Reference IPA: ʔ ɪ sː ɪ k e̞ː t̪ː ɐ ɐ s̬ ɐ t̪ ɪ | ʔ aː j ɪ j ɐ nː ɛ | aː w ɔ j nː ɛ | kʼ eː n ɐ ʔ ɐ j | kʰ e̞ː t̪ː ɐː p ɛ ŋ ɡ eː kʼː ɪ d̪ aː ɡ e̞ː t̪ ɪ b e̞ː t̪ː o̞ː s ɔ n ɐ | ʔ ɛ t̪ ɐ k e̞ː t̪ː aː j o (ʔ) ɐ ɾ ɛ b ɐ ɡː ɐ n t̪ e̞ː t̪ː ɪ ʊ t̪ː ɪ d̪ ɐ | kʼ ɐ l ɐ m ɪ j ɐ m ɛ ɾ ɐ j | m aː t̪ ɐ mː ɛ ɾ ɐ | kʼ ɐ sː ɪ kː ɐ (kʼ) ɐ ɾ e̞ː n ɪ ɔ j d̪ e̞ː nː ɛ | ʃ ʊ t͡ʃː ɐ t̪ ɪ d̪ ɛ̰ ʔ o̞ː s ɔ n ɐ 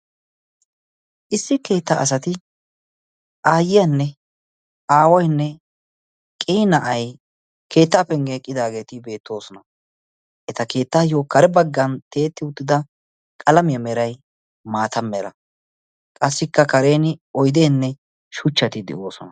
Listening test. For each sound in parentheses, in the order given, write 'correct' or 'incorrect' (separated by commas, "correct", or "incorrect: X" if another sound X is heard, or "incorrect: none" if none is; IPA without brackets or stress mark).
incorrect: k, incorrect: k